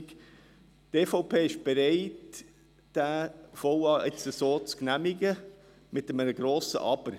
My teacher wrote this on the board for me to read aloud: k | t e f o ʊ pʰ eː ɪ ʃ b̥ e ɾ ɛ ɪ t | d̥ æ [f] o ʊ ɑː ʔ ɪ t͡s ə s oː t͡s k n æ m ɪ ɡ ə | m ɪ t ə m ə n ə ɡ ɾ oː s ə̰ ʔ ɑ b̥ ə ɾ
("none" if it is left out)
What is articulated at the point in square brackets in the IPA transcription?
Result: f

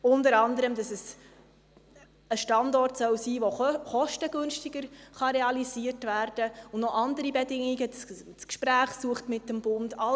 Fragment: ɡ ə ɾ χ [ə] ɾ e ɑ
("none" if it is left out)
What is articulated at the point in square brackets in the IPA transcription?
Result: ɑ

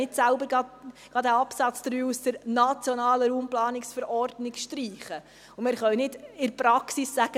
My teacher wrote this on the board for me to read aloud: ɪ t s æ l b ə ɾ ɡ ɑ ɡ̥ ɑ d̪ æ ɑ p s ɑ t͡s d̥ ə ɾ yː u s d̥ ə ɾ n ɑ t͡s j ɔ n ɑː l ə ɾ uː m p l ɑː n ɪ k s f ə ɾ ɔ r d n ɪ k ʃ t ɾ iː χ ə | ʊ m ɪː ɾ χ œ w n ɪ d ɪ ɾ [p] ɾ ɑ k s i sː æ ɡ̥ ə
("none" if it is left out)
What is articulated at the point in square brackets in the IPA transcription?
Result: p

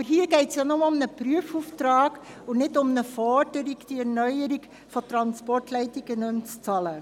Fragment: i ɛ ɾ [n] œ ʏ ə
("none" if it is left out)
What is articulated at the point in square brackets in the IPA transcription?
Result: n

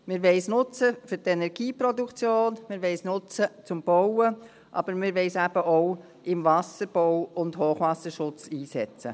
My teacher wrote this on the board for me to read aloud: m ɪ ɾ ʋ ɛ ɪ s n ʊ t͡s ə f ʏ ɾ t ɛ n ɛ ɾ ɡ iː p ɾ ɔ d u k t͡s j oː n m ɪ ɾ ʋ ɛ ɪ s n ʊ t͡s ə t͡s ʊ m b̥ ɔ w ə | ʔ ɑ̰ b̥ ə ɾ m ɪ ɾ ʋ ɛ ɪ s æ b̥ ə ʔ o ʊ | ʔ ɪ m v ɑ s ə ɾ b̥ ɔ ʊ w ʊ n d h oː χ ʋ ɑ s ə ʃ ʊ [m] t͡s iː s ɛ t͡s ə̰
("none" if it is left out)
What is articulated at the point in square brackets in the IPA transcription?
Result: none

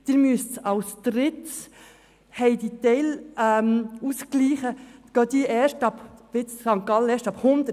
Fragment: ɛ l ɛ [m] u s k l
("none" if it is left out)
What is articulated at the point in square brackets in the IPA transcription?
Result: m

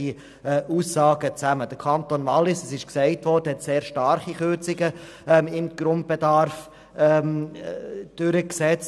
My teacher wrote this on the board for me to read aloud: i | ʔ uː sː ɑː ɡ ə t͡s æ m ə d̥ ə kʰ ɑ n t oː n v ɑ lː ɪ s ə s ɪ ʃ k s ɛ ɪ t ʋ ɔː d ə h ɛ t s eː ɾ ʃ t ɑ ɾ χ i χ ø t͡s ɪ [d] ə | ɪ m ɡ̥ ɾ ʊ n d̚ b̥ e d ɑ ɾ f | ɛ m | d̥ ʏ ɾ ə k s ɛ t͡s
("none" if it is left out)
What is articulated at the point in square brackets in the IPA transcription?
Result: ɡ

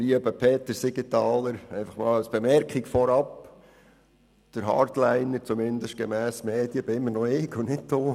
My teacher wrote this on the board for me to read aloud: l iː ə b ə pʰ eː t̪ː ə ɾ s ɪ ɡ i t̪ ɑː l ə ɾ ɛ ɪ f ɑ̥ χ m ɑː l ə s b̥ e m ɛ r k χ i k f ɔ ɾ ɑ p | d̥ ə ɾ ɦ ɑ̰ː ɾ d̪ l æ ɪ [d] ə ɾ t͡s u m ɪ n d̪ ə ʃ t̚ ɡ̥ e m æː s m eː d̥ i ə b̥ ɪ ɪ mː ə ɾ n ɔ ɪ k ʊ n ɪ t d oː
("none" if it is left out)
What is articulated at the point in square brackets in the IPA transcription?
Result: n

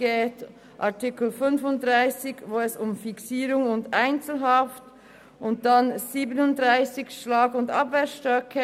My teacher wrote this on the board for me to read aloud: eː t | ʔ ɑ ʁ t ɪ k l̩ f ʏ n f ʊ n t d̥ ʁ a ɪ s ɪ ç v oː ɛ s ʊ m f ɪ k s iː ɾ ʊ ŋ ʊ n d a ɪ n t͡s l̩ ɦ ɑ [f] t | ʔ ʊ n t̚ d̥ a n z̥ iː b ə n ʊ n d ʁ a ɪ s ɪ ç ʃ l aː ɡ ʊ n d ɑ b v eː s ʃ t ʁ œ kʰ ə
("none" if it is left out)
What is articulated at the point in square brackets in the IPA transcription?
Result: f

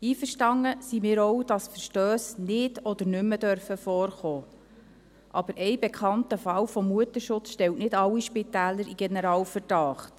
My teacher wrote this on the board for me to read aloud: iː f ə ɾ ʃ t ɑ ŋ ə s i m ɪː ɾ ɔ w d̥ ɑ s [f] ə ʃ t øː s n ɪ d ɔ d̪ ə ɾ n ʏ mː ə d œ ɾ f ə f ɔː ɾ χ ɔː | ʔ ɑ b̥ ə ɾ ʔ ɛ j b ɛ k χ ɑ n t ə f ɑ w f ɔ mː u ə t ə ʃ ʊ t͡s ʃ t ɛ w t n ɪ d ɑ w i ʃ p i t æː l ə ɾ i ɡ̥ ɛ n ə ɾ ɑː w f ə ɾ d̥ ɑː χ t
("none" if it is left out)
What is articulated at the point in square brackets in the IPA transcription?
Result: f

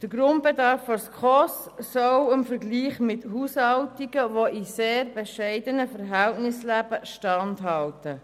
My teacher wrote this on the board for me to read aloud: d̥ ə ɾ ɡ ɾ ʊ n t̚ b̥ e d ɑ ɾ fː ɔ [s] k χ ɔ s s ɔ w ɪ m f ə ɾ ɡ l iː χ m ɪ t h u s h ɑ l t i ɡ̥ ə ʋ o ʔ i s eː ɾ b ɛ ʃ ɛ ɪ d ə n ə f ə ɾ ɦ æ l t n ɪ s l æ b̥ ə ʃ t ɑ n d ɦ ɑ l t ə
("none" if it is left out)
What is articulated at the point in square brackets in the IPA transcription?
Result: s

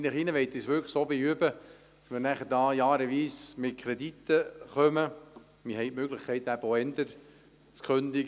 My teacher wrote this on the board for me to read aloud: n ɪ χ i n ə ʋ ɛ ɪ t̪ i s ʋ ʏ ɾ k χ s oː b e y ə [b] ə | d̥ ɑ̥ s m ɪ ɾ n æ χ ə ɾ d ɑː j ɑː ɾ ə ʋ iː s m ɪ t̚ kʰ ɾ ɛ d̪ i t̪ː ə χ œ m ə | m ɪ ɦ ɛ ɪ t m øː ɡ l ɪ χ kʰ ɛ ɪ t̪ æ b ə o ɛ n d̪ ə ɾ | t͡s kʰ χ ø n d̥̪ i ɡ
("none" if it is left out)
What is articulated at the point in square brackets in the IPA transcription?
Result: b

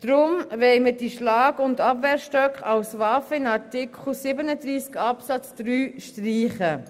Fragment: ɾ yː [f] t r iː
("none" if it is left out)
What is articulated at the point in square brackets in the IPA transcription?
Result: ʃ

